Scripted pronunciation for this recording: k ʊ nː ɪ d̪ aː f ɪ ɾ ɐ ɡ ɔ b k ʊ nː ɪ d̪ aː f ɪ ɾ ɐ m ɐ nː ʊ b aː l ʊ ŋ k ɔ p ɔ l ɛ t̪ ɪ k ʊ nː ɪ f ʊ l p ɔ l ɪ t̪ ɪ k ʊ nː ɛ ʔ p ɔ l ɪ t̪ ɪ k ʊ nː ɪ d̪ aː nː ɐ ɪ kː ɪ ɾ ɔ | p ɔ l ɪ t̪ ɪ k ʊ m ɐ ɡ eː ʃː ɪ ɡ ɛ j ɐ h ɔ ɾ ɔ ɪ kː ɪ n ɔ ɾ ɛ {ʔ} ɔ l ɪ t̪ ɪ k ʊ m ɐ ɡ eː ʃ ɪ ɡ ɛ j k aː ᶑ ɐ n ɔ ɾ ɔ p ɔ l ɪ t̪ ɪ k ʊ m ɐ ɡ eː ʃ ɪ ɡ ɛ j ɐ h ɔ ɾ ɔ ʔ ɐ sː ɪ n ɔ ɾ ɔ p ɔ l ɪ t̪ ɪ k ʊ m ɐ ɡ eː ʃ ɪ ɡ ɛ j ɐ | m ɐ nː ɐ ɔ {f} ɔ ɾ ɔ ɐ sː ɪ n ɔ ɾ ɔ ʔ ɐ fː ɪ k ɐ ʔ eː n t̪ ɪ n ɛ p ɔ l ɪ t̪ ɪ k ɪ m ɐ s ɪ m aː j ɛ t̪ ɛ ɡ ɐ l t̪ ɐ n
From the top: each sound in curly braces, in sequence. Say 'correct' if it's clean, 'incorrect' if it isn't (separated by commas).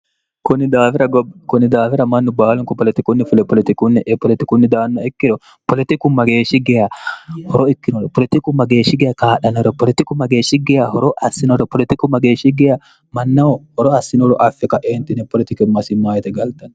incorrect, incorrect